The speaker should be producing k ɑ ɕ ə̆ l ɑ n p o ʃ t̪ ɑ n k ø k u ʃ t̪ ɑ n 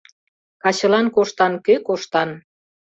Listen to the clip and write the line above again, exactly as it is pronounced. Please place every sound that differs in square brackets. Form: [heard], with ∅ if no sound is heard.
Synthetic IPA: k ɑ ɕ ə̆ l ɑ n [k] o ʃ t̪ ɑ n k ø k [o] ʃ t̪ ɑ n

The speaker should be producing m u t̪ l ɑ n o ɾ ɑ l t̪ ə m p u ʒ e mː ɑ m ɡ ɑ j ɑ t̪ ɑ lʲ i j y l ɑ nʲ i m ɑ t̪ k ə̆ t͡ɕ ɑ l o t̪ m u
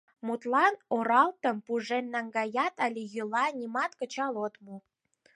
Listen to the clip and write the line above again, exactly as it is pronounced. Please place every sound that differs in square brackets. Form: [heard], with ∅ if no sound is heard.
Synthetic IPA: m u t̪ l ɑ n o ɾ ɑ l t̪ ə m p u ʒ e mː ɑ [ŋ] ɡ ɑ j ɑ t̪ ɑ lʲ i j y l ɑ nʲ i m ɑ t̪ k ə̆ t͡ɕ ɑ l o t̪ m u

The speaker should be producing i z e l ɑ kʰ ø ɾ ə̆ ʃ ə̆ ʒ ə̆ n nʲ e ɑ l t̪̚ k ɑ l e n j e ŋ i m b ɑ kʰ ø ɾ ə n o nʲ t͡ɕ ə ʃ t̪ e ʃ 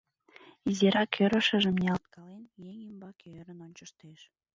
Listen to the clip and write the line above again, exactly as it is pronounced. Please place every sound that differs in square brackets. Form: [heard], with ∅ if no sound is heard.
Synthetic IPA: i z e [ɾ] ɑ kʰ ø ɾ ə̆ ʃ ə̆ ʒ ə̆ [m] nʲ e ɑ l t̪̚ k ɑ l e n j e ŋ i m b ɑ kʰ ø ɾ ə n o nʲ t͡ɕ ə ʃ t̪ e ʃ

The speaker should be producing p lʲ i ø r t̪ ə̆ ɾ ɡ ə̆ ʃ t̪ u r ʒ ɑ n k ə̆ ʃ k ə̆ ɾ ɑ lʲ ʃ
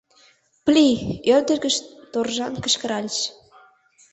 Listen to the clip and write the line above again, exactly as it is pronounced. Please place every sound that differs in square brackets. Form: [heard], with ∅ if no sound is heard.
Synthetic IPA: p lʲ i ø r [d̪] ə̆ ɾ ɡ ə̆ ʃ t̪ [o] r ʒ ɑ n k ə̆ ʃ k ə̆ ɾ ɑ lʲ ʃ

